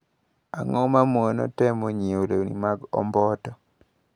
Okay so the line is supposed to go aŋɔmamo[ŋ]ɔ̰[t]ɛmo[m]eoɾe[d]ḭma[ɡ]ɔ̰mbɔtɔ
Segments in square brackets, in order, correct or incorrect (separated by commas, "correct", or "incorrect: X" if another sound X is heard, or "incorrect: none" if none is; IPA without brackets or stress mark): incorrect: n, correct, incorrect: ɲ, incorrect: n, correct